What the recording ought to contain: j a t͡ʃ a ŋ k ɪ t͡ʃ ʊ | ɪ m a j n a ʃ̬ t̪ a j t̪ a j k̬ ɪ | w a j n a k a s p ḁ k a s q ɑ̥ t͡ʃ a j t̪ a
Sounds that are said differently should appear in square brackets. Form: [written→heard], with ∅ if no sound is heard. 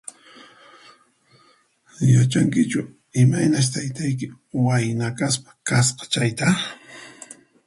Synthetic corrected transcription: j a t͡ʃ a ŋ k ɪ t͡ʃ ʊ | ɪ m a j n a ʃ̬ t̪ a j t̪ a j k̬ ɪ | w a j n a k a s p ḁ k a s q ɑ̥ t͡ʃ a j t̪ a

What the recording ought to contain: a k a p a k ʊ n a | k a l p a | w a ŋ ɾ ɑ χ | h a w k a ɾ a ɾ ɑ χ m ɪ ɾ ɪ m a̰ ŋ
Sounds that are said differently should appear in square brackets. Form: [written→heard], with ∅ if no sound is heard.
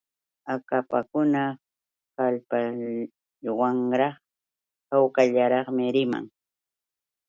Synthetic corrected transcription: a k a p a k ʊ n a | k a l p a | w a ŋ ɾ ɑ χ | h a w k a [ɾ→ʎ] a ɾ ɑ χ m ɪ ɾ ɪ m a̰ ŋ

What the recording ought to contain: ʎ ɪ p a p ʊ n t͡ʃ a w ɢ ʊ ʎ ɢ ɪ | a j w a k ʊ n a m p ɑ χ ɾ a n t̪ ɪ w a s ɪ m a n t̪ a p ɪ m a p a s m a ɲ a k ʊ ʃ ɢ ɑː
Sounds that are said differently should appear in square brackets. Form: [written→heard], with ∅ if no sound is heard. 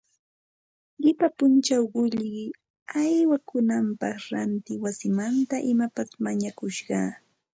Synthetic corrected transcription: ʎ ɪ p a p ʊ n t͡ʃ a w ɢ ʊ ʎ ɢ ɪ | a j w a k ʊ n a m p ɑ χ ɾ a n t̪ ɪ w a s ɪ m a n t̪ a [p→ʔ] ɪ m a p a s m a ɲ a k ʊ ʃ ɢ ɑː

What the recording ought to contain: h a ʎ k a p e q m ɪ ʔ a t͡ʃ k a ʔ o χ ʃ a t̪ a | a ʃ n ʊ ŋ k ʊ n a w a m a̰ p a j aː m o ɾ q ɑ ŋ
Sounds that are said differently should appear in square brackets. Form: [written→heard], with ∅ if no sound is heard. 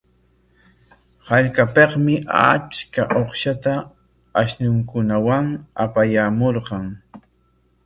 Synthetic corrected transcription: h a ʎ k a p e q m ɪ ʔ a t͡ʃ k a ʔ o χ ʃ a t̪ a | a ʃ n ʊ ŋ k ʊ n a w a [m→ŋ] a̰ p a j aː m o ɾ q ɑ ŋ

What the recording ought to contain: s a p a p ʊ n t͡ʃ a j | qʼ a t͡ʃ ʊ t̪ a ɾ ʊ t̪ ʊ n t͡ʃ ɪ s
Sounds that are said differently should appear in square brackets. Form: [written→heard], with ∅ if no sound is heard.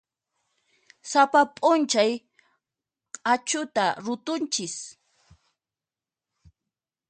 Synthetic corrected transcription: s a p a [p→pʼ] ʊ n t͡ʃ a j | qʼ a t͡ʃ ʊ t̪ a ɾ ʊ t̪ ʊ n t͡ʃ ɪ s

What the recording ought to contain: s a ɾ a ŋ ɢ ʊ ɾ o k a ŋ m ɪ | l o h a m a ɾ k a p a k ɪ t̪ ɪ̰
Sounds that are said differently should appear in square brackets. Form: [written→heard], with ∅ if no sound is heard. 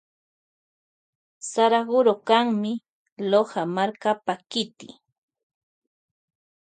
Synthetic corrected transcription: s a ɾ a [ŋ→∅] ɢ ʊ ɾ o k a ŋ m ɪ | l o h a m a ɾ k a p a k ɪ t̪ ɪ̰

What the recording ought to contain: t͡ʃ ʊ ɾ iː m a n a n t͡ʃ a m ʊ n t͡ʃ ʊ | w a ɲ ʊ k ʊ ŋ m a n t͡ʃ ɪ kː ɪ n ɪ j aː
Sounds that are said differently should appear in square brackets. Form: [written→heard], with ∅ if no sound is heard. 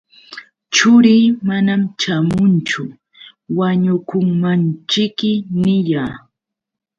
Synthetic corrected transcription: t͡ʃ ʊ ɾ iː m a n a [n→m] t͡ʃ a m ʊ n t͡ʃ ʊ | w a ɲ ʊ k ʊ ŋ m a n t͡ʃ ɪ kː ɪ n ɪ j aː

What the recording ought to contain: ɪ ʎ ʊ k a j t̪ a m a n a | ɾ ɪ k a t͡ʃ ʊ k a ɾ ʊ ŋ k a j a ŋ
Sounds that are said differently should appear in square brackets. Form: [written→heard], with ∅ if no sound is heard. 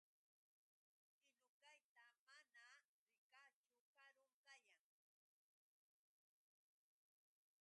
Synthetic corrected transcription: ɪ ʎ ʊ k a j t̪ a m a n a | ɾ ɪ k a t͡ʃ ʊ k a ɾ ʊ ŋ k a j a ŋ

